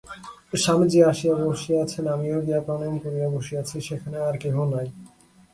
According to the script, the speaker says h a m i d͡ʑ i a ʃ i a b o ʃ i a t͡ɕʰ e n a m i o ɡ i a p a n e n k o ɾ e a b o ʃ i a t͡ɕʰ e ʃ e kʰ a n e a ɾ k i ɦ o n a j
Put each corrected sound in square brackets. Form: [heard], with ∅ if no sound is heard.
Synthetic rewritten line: [ʃ] a m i d͡ʑ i a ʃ i a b o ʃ i a t͡ɕʰ e n a m i o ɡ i a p a n e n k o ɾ [i] a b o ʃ i a t͡ɕʰ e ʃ e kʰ a n e a ɾ k [e] ɦ o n a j

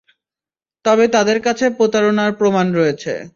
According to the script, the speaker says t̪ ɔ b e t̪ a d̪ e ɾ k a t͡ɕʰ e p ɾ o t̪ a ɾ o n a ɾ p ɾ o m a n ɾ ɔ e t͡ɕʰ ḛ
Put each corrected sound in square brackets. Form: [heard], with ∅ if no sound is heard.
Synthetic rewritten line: t̪ ɔ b e t̪ a d̪ e ɾ k a t͡ɕʰ e p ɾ o t̪ a ɾ o n a ɾ p ɾ o m a n ɾ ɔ e t͡ɕʰ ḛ

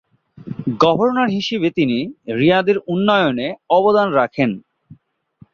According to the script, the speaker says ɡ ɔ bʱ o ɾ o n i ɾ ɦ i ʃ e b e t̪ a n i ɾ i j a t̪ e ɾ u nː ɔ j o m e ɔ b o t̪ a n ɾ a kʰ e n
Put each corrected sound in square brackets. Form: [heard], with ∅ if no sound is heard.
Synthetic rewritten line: ɡ ɔ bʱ o ɾ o n [a] ɾ ɦ i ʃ e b e t̪ [i] n i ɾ i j a [d̪] e ɾ u nː ɔ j o [n] e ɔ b o [d̪] a n ɾ a kʰ e n

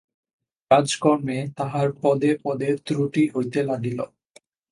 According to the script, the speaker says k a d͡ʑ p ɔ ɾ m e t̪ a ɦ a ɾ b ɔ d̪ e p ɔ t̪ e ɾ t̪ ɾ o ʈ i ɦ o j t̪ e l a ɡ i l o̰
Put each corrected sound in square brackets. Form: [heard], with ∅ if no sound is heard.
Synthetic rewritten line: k a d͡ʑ [k] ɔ ɾ m e t̪ a ɦ a ɾ [p] ɔ d̪ e p ɔ [d̪] e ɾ t̪ ɾ [u] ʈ i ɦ o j t̪ e l a ɡ i l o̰

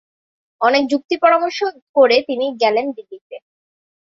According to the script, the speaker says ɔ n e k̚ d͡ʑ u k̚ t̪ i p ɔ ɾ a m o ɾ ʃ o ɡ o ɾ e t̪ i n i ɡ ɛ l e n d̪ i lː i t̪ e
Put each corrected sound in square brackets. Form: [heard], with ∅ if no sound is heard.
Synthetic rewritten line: ɔ n e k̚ d͡ʑ u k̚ t̪ i p ɔ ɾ a m o ɾ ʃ o [k] o ɾ e t̪ i n i ɡ ɛ l e n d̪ i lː i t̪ e

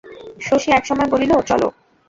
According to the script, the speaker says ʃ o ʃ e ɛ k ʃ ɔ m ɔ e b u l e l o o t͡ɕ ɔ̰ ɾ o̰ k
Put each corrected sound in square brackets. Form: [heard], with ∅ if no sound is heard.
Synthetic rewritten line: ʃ o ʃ [i] ɛ k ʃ ɔ m ɔ e b [o] l [i] l o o t͡ɕ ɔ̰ [l] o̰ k

